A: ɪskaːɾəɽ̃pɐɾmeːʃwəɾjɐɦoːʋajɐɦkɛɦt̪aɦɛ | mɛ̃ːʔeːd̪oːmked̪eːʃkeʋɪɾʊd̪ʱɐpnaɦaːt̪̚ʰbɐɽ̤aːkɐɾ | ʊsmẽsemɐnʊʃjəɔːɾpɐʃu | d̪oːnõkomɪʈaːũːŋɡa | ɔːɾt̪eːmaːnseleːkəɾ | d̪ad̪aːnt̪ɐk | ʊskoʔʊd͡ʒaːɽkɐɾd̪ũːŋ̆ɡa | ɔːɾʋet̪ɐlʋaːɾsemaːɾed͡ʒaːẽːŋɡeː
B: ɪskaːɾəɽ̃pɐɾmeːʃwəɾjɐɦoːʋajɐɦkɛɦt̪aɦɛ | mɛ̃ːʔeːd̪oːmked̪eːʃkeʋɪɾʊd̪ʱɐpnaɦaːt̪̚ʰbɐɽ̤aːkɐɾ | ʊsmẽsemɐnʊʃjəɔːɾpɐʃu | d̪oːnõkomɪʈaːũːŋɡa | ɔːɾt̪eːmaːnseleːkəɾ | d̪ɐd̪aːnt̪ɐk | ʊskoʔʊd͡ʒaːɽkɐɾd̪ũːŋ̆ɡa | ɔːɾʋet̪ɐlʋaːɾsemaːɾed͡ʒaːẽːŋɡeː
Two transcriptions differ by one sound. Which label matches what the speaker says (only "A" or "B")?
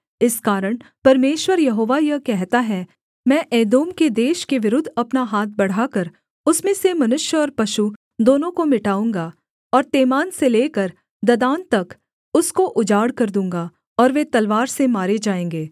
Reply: B